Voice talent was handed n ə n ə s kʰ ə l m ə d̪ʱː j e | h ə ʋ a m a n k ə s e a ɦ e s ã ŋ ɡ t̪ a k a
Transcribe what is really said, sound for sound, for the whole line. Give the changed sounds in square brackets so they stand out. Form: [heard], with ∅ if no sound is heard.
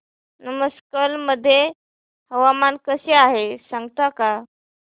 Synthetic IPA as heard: n ə [m] ə s [k] ə l m ə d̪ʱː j e | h ə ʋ a m a n k ə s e a ɦ e s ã ŋ ɡ t̪ a k a